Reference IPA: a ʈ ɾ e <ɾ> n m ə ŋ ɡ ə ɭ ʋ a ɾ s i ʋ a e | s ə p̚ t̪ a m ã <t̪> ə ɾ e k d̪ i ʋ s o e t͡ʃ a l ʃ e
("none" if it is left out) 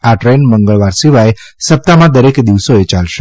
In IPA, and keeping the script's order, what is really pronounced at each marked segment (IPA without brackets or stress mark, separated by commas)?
none, d̪